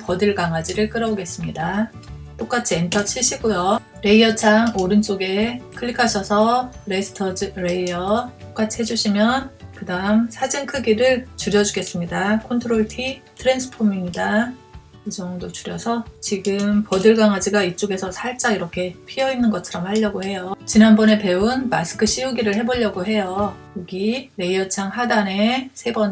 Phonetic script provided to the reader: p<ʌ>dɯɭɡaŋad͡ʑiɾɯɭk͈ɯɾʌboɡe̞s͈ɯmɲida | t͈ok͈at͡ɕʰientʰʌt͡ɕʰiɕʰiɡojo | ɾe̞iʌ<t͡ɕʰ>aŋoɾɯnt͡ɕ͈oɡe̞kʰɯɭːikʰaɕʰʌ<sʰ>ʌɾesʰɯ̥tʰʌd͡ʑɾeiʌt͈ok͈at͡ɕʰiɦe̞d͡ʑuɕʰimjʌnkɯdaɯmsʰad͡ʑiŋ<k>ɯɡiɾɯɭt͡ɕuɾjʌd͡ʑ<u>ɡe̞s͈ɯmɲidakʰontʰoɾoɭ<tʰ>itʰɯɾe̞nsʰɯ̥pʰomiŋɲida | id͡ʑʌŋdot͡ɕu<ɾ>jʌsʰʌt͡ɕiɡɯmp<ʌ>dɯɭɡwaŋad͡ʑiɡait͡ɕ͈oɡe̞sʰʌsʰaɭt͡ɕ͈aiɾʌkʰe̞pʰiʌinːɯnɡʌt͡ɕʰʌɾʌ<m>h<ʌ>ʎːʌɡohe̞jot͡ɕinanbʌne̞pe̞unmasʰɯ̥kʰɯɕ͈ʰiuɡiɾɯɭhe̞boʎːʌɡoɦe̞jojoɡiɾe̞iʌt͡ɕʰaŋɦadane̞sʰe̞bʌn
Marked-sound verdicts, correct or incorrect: correct, correct, correct, incorrect, correct, correct, correct, correct, correct, incorrect

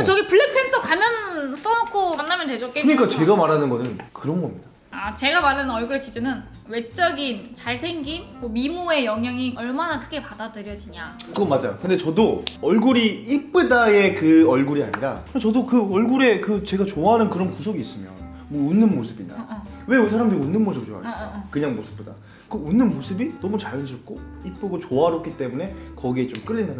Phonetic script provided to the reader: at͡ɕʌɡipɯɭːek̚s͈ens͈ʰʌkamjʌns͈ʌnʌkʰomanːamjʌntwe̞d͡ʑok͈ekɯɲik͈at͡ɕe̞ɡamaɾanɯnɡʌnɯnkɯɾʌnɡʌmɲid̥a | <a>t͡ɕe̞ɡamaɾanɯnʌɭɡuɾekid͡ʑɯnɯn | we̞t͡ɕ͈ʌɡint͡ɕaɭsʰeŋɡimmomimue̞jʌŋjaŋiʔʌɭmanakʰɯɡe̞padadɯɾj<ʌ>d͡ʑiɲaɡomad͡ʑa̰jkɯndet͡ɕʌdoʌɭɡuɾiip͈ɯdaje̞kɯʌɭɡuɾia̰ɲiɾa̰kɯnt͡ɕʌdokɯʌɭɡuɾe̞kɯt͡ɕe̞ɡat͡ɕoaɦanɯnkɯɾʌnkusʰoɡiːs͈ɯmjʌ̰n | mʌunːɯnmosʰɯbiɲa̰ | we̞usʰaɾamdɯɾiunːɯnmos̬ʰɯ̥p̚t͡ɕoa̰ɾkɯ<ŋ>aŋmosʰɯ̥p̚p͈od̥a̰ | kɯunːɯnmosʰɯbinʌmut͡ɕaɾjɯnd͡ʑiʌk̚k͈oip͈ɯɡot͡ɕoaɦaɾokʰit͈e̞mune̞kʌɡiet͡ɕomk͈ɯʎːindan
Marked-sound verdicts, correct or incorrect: correct, correct, incorrect

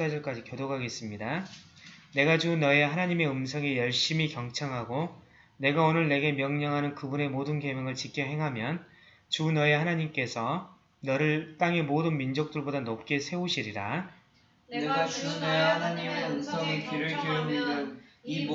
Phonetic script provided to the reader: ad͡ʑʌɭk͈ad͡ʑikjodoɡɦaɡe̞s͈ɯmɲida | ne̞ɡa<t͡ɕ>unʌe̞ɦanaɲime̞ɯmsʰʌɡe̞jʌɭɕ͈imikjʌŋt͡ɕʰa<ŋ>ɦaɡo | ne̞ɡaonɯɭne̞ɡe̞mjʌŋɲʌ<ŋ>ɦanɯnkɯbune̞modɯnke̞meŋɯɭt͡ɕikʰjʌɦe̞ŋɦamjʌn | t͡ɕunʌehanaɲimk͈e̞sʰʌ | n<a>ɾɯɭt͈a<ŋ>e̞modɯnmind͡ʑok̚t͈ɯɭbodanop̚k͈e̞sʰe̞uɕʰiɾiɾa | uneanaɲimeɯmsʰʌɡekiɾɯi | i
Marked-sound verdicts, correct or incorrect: correct, correct, correct, incorrect, correct

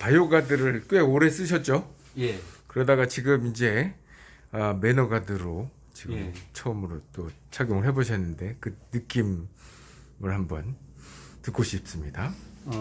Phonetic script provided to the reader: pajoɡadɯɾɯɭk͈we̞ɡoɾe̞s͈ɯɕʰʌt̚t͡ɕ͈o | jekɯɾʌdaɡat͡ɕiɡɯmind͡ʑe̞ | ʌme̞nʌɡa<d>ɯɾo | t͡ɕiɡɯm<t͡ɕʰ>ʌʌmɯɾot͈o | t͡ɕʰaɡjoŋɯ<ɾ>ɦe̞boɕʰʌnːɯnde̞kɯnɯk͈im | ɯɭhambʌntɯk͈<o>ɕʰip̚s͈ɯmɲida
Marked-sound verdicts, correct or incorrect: correct, correct, incorrect, correct

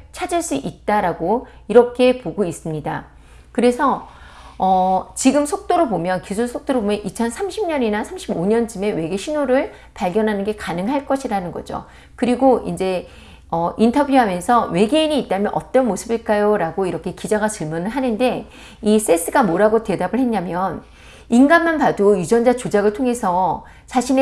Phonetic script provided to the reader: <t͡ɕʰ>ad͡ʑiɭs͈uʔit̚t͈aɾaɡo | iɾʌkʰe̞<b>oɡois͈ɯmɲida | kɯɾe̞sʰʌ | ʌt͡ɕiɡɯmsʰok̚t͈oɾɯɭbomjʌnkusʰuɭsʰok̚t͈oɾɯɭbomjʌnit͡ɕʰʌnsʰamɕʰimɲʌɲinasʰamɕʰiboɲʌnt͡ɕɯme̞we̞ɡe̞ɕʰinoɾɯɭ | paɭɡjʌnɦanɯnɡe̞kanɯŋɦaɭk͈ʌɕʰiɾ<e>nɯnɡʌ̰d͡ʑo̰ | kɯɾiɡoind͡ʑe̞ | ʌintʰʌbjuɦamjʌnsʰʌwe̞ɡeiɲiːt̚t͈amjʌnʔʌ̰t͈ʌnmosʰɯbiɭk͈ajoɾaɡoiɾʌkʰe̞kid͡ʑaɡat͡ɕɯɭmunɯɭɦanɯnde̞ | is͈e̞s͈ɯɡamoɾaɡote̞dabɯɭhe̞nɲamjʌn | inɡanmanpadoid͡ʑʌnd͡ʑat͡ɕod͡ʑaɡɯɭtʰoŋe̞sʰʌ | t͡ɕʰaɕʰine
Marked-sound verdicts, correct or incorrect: correct, incorrect, incorrect

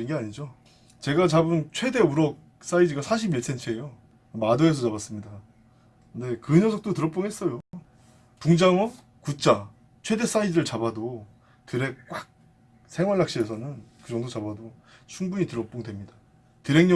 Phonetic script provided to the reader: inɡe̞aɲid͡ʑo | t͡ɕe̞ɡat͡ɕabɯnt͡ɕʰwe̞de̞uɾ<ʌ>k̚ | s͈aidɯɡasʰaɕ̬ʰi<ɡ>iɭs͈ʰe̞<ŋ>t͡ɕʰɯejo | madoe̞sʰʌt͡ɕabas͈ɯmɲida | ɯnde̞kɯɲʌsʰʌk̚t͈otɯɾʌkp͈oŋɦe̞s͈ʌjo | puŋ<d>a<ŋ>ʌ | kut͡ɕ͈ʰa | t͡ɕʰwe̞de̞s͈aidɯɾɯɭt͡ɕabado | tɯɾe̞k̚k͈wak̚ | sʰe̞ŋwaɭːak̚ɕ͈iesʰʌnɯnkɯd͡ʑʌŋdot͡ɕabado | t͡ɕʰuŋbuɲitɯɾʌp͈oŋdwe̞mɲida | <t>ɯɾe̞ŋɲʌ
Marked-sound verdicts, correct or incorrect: correct, incorrect, incorrect, incorrect, correct, correct

